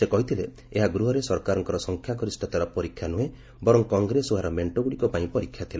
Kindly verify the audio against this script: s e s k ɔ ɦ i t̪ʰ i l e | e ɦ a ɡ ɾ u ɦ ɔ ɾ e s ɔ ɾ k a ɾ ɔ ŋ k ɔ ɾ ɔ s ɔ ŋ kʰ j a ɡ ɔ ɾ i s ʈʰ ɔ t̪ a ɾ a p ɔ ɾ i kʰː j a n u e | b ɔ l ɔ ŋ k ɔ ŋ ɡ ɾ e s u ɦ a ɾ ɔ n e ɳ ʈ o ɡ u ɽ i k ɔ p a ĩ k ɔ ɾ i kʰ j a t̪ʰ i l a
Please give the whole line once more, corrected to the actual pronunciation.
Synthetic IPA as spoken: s e k ɔ ɦ i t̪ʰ i l e | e ɦ a ɡ ɾ u ɦ ɔ ɾ e s ɔ ɾ k a ɾ ɔ ŋ k ɔ ɾ ɔ s ɔ ŋ kʰ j a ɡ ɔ ɾ i s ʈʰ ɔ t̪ a ɾ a p ɔ ɾ i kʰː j a n u e | b ɔ ɾ ɔ ŋ k ɔ ŋ ɡ ɾ e s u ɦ a ɾ ɔ m e ɳ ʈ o ɡ u ɽ i k ɔ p a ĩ p ɔ ɾ i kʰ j a t̪ʰ i l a